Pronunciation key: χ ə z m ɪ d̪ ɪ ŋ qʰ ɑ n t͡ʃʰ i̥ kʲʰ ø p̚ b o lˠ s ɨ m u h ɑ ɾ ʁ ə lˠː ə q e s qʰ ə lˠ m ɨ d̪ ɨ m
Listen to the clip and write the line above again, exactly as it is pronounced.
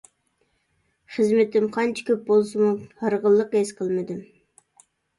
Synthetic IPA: χ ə z m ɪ t̪ ɪ m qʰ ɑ n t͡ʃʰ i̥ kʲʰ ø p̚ b o lˠ s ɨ m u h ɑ ɾ ʁ ə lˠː ə q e s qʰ ə lˠ m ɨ d̪ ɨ m